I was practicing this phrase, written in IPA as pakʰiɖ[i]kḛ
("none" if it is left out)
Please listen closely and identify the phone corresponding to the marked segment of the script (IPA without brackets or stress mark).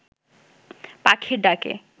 a